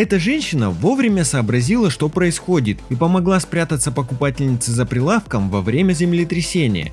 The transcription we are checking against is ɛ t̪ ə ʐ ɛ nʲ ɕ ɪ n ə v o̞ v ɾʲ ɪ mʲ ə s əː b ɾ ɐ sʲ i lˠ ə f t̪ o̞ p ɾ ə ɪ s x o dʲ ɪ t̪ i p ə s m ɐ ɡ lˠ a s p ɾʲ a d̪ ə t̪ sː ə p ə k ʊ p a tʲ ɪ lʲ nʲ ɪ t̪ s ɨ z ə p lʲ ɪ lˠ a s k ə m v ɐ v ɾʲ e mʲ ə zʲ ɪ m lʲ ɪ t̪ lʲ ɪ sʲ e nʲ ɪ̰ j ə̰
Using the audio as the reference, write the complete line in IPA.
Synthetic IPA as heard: ɛ t̪ ə ʐ ɛ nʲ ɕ ɪ n ə v o̞ v ɾʲ ɪ mʲ ə s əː b ɾ ɐ zʲ i lˠ ə ʂ t̪ o̞ p ɾ ə ɪ s x o dʲ ɪ t̪ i p ə m ɐ ɡ lˠ a s p ɾʲ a t̪ ə t̪ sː ə p ə k ʊ p a tʲ ɪ lʲ nʲ ɪ t̪ s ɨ z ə p ɾʲ ɪ lˠ a f k ə m v ɐ v ɾʲ e mʲ ə zʲ ɪ m lʲ ɪ t̪ ɾʲ ɪ sʲ e nʲ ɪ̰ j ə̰

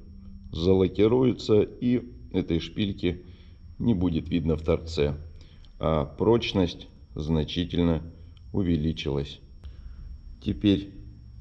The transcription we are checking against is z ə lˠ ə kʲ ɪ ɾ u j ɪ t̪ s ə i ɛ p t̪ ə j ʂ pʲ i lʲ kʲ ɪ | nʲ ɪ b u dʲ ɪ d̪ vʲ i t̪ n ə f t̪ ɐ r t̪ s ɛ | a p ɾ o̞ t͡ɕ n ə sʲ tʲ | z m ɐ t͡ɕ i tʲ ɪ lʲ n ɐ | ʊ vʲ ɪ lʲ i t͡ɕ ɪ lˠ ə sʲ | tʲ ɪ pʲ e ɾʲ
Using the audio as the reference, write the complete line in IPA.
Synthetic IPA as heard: z ə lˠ ə kʲ ɪ ɾ u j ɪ t̪ s ə i ɛ t̪ ə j ʂ pʲ i lʲ kʲ ɪ | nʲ ɪ b u dʲ ɪ t̪ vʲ i d̪ n ə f t̪ ɐ r t̪ s ɛ | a p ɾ o̞ t͡ɕ n ə sʲ tʲ | z n ɐ t͡ɕ i tʲ ɪ lʲ n ə | ʊ vʲ ɪ lʲ i t͡ɕ ɪ lˠ ə sʲ | tʲ ɪ pʲ e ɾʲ

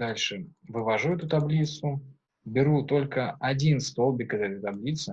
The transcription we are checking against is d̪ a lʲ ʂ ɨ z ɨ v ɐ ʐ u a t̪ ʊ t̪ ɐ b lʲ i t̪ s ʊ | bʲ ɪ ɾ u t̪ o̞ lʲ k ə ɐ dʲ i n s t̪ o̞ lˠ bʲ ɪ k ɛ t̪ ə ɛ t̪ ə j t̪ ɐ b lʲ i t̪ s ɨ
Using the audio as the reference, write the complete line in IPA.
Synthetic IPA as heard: d̪ a lʲ ʂ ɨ v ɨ v ɐ ʐ u ɛ t̪ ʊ t̪ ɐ b lʲ i t̪ s ʊ | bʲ ɪ ɾ u t̪ o̞ lʲ k ə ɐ dʲ i n s t̪ o̞ lˠ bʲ ɪ k ɛ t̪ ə ɛ t̪ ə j t̪ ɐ b lʲ i t̪ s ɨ

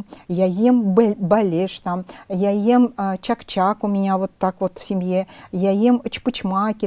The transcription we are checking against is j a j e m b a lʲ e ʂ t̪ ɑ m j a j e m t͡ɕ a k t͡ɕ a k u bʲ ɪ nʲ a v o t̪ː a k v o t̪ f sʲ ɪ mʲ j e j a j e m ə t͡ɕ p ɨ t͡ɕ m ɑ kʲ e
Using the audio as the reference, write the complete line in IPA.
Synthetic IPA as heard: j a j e m b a lʲ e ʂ t̪ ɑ m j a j e m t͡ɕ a k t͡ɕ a k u mʲ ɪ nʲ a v o t̪ː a k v o t̪ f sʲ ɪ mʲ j e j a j e m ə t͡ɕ p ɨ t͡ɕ m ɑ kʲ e

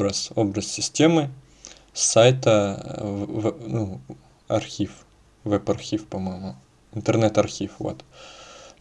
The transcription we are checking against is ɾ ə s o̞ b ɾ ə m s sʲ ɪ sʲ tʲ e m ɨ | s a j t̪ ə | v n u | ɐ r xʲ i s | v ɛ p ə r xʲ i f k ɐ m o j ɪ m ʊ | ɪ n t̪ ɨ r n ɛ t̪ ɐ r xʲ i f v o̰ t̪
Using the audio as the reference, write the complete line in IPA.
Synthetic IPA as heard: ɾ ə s o̞ b ɾ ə s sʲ ɪ sʲ tʲ e m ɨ | s a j t̪ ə | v n u | ɐ r xʲ i f | v ɛ p ɐ r xʲ i f p ɐ m o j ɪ m ʊ | ɪ n t̪ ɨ r n ɛ t̪ ɐ r xʲ i f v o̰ t̪

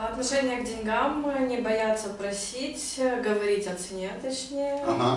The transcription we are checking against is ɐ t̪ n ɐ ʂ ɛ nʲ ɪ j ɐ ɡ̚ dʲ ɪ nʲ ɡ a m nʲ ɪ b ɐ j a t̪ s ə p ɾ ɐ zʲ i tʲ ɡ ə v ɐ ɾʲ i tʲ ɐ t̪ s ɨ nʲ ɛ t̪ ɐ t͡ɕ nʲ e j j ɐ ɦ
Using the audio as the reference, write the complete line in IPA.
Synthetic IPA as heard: ɐ t̪ n ɐ ʂ ɛ nʲ ɪ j ə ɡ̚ dʲ ɪ nʲ ɡ a m nʲ ɪ b ɐ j a t̪ s ə p ɾ ɐ sʲ i tʲ ɡ ə v ɐ ɾʲ i tʲ ɐ t̪ s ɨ nʲ e t̪ ɐ t͡ɕ nʲ e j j ə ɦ

